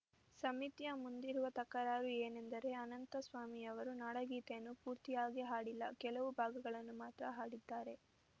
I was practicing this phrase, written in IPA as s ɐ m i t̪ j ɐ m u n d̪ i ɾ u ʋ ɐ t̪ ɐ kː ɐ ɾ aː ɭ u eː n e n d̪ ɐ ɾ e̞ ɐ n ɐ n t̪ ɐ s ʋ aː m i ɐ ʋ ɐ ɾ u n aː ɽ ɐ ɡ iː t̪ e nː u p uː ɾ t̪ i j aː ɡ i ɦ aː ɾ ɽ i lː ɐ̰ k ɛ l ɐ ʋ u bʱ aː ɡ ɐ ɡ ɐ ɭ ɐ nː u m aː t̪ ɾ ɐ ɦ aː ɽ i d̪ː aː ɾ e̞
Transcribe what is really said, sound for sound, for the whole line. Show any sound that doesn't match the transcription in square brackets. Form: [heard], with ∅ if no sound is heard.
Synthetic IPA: s ɐ m i t̪ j ɐ m u n d̪ i ɾ u ʋ ɐ t̪ ɐ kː ɐ ɾ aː [ɾ] u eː n e n d̪ ɐ ɾ e̞ ɐ n ɐ n t̪ ɐ s ʋ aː m i ɐ ʋ ɐ ɾ u n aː ɽ ɐ ɡ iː t̪ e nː u p uː ɾ t̪ i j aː ɡ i ɦ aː [∅] ɽ i lː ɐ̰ k ɛ l ɐ ʋ u bʱ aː ɡ ɐ ɡ ɐ ɭ ɐ nː u m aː t̪ ɾ ɐ ɦ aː ɽ i d̪ː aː ɾ e̞